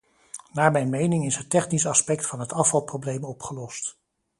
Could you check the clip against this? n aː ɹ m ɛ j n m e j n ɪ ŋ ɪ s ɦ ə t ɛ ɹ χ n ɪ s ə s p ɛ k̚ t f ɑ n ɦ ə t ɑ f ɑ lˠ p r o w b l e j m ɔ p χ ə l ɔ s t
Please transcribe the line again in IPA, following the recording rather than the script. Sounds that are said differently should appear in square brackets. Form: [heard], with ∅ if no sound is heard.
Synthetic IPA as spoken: n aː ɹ m ɛ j n m e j n ɪ ŋ ɪ s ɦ ə t ɛ [∅] χ n [i] s [ɑ] s p ɛ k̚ t f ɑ n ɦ ə t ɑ f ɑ lˠ p r o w b l e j m ɔ p χ ə l ɔ s t